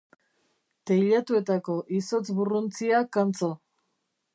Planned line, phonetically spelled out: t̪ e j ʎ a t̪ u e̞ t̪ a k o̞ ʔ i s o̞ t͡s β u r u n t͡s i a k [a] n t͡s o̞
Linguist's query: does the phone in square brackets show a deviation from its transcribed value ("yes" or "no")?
no